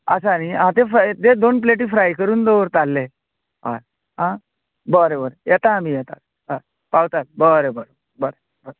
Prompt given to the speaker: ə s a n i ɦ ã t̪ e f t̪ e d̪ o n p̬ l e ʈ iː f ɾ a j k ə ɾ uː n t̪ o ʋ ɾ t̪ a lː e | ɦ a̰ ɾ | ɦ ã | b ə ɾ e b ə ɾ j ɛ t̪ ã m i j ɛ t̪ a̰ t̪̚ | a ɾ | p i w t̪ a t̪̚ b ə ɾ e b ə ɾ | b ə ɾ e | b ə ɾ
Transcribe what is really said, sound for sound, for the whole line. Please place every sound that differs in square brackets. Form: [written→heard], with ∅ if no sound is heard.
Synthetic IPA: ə s a n i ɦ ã t̪ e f t̪ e d̪ o n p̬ l e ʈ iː f ɾ a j k ə ɾ uː n [t̪→d̪] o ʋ ɾ t̪ a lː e | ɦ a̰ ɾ | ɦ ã | b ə ɾ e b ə ɾ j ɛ t̪ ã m i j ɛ t̪ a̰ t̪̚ | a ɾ | p [i→a] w t̪ a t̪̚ b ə ɾ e b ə ɾ | b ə ɾ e | b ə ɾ